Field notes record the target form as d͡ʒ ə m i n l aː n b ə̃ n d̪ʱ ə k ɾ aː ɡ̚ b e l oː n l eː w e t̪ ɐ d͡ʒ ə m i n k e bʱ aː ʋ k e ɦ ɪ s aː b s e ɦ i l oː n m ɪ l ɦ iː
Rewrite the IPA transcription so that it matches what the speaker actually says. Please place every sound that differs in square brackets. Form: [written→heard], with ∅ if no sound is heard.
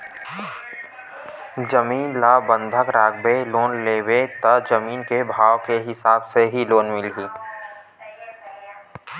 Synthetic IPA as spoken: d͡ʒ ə m [i→iː] n l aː [n→∅] b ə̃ n d̪ʱ ə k ɾ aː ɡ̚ b e l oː n l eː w e t̪ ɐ d͡ʒ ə m [i→iː] n k e bʱ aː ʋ k e ɦ ɪ s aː b s e ɦ i l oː n m ɪ l ɦ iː